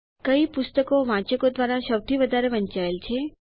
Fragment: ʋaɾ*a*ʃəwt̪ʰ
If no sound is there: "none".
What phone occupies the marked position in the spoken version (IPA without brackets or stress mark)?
a